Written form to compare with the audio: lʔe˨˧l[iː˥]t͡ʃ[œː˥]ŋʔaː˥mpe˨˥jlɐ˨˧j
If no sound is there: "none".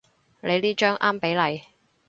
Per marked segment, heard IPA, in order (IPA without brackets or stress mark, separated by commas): iː˥, œː˥